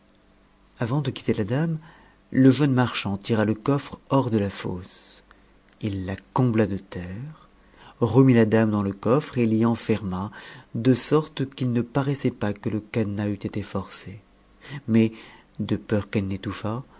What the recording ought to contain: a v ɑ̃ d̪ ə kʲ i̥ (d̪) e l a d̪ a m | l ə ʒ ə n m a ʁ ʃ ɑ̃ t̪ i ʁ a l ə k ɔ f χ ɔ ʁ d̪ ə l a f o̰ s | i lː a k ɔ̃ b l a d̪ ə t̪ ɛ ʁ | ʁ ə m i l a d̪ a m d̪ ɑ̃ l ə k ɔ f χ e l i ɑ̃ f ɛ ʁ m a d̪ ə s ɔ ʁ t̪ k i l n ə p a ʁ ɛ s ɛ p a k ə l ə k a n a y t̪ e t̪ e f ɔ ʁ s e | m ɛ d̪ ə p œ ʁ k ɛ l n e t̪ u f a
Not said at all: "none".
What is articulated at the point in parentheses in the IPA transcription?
t̪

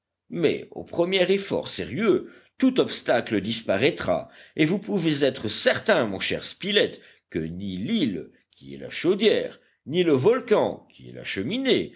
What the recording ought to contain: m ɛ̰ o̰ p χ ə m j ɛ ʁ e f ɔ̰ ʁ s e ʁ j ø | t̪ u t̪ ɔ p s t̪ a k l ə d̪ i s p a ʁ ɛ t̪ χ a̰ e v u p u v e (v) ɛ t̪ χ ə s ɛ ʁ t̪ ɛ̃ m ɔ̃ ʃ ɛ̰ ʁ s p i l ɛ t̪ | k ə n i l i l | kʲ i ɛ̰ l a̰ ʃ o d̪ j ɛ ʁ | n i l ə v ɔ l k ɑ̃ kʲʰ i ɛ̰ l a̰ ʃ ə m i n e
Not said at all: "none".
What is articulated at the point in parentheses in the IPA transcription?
z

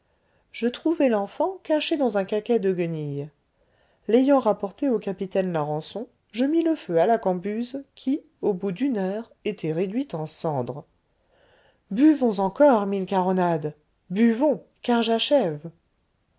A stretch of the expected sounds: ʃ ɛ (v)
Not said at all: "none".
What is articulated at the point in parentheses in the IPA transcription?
v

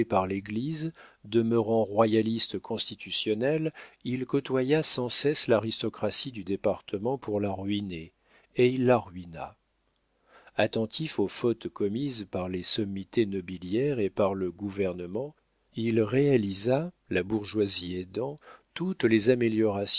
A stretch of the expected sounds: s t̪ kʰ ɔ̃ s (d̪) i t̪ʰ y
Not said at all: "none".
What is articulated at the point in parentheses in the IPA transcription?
t̪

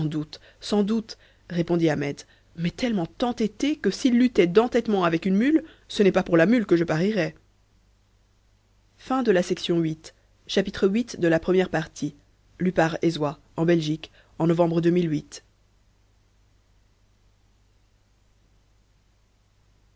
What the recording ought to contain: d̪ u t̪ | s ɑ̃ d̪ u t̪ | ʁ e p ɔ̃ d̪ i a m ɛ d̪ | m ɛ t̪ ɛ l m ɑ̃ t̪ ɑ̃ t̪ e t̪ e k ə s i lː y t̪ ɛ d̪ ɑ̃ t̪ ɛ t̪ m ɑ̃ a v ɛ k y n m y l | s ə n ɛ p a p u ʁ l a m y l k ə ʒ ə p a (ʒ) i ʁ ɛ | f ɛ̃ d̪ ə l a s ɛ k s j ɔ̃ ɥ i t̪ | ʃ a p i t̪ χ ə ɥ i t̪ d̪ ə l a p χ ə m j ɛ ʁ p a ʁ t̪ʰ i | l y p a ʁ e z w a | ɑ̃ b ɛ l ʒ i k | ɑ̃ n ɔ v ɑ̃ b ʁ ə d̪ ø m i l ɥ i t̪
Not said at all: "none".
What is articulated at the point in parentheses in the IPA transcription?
ʁ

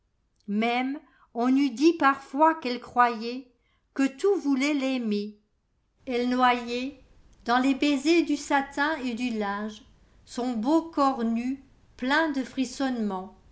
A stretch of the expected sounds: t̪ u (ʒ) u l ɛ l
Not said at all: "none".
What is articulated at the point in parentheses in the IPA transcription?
v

